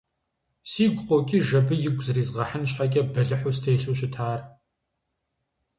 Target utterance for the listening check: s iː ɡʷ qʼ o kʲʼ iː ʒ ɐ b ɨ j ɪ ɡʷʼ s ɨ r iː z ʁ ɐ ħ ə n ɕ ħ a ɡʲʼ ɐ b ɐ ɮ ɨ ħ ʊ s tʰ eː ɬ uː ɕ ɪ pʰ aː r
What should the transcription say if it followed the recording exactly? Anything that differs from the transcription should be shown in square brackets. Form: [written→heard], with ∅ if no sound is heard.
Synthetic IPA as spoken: s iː ɡʷ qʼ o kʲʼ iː ʒ ɐ b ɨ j ɪ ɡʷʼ [s→z] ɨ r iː z ʁ ɐ ħ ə n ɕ ħ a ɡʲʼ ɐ b ɐ ɮ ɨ ħ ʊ s tʰ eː ɬ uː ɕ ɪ [pʰ→tʰ] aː r